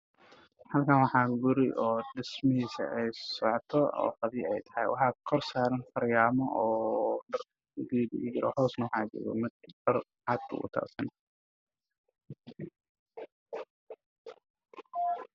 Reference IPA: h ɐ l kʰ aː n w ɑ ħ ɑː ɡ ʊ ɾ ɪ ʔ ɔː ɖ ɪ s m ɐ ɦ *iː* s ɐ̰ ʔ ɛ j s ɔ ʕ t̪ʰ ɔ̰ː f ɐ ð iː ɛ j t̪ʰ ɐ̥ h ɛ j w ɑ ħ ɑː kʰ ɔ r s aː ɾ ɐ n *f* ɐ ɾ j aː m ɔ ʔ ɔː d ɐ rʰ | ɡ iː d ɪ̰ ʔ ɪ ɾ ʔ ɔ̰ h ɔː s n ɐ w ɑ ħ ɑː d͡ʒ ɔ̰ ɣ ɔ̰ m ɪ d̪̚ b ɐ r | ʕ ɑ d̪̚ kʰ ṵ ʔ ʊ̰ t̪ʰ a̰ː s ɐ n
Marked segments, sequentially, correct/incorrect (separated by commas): correct, correct